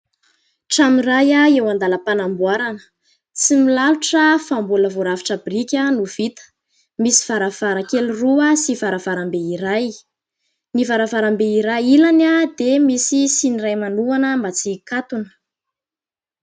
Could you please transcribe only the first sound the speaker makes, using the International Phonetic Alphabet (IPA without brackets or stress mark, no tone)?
ʈ͡ʂ